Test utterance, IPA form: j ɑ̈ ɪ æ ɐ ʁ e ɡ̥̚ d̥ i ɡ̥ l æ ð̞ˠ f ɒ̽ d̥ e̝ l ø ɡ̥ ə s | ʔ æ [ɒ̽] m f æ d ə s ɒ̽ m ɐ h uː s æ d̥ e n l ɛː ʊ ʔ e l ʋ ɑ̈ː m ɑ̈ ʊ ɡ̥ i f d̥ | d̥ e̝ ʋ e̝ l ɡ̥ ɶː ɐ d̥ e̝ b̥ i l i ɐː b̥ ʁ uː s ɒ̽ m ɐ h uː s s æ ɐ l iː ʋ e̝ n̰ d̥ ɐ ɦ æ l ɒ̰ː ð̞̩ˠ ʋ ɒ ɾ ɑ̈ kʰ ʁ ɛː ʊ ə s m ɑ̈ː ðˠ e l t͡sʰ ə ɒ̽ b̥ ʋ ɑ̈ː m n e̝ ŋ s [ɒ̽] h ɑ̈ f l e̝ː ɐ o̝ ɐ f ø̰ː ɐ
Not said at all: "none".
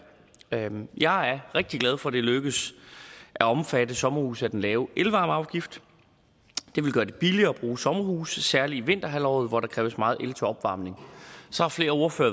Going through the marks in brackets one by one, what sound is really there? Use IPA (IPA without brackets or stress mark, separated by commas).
ɒ̽, ɒ̽